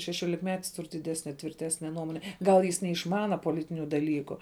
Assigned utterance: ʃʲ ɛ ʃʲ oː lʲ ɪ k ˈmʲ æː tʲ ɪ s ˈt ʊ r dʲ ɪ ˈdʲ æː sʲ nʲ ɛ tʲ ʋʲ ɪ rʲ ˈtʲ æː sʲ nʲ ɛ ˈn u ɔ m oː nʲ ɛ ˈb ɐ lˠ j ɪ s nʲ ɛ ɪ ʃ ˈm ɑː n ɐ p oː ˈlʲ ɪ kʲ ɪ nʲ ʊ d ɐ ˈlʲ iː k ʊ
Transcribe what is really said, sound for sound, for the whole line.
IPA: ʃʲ ɛ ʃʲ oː lʲ ɪ k ˈmʲ æː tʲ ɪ s ˈt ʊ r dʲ ɪ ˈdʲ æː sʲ nʲ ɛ tʲ ʋʲ ɪ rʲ ˈtʲ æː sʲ nʲ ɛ ˈn u ɔ m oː nʲ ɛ ˈɡ ɐ lˠ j ɪ s nʲ ɛ ɪ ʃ ˈm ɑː n ɐ p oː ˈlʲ ɪ tʲ ɪ nʲ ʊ d ɐ ˈlʲ iː k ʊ